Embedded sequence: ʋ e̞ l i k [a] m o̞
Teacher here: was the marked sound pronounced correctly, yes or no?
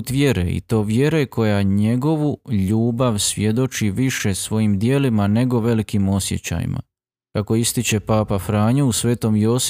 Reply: no